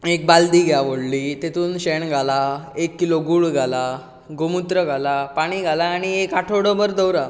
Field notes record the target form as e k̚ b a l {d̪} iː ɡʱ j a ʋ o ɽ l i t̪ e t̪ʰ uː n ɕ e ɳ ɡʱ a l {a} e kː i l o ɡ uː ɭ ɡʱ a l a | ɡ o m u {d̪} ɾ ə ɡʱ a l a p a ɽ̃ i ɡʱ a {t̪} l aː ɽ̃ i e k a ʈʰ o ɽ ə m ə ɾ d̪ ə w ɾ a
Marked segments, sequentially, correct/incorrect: correct, correct, incorrect, incorrect

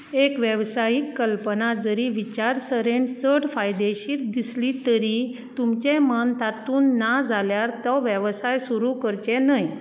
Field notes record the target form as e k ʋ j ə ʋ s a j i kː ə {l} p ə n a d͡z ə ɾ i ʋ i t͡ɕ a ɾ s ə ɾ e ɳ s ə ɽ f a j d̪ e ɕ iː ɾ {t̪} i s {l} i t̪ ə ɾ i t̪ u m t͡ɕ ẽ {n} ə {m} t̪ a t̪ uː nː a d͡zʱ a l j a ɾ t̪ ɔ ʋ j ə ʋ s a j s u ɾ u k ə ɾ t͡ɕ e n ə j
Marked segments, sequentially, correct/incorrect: correct, incorrect, correct, incorrect, incorrect

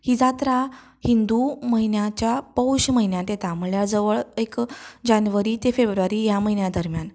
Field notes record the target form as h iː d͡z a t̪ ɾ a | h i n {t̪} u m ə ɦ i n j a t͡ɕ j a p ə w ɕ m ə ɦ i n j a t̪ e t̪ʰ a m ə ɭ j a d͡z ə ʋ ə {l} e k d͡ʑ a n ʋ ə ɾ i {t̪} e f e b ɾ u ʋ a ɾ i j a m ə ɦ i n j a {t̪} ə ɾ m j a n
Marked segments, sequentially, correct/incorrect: incorrect, incorrect, correct, incorrect

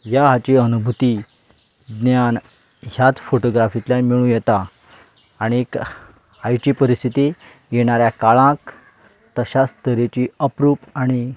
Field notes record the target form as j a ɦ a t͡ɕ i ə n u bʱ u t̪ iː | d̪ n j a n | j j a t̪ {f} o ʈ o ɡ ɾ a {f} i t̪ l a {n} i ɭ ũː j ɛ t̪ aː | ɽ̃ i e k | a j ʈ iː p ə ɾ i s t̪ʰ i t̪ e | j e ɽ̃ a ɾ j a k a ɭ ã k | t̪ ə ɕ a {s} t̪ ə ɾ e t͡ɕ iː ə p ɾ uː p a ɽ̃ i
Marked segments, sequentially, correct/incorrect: correct, correct, incorrect, correct

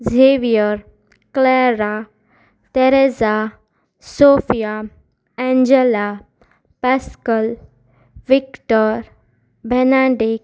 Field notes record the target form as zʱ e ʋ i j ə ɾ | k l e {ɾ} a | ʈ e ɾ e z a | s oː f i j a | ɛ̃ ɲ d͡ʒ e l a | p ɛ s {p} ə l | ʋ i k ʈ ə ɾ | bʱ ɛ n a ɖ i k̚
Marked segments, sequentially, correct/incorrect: correct, incorrect

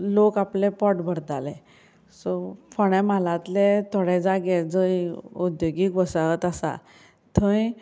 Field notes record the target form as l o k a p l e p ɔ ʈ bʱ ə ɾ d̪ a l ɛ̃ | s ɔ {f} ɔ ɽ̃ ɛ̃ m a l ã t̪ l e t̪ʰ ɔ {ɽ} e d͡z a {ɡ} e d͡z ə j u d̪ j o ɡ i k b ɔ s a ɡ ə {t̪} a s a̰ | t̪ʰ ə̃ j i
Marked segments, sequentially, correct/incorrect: correct, correct, correct, correct

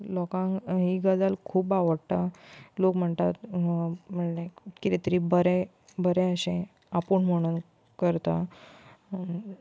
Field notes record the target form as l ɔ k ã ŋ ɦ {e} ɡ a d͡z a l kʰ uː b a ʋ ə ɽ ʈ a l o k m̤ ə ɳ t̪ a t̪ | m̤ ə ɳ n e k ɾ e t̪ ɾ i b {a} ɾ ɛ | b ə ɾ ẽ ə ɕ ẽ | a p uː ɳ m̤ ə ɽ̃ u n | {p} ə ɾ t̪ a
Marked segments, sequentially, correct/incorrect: incorrect, incorrect, incorrect

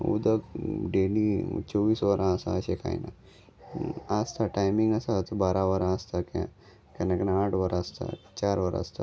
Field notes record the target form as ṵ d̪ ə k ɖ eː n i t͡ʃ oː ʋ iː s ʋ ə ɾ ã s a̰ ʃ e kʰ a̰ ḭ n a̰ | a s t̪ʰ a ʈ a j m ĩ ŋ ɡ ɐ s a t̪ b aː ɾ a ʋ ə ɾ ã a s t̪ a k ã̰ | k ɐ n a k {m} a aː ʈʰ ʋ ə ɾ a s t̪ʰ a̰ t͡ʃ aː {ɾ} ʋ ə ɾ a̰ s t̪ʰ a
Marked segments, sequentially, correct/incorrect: incorrect, correct

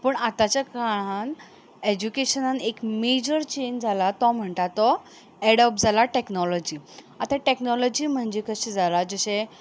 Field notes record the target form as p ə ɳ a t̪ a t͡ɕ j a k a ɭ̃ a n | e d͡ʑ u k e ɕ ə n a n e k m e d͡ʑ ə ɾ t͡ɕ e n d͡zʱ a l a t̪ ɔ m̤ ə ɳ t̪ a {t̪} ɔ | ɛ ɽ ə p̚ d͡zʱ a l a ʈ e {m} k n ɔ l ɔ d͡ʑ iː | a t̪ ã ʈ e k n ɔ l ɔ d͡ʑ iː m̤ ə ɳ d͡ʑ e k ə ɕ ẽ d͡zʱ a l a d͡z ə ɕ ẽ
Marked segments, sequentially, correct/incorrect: correct, incorrect

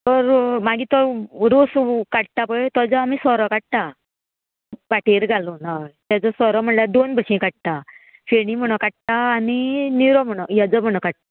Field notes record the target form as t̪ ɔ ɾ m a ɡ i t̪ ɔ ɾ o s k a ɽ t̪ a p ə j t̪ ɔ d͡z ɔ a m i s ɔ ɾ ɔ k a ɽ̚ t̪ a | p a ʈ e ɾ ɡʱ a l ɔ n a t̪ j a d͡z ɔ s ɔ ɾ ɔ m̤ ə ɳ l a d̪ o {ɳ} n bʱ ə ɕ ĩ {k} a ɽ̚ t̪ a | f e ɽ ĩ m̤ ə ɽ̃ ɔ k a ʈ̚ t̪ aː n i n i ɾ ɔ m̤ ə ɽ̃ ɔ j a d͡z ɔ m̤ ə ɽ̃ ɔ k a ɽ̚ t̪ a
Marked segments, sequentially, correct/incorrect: incorrect, correct

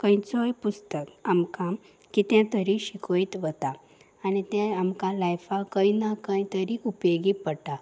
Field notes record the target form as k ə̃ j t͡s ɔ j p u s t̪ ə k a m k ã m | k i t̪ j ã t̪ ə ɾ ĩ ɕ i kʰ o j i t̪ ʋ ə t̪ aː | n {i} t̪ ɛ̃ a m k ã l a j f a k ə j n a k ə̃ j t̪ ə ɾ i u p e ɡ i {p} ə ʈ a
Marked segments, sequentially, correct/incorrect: correct, correct

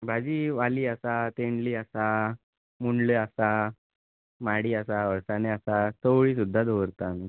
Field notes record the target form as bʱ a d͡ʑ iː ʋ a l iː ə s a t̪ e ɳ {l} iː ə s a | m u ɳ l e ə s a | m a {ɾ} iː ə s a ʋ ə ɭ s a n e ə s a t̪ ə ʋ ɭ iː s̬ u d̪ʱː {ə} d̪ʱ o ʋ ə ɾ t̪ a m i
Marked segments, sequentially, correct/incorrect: correct, incorrect, incorrect

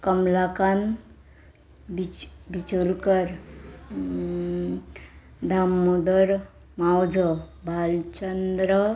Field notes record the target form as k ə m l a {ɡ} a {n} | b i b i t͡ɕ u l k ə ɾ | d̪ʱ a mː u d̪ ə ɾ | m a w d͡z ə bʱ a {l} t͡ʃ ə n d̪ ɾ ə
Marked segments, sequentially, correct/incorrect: incorrect, correct, correct

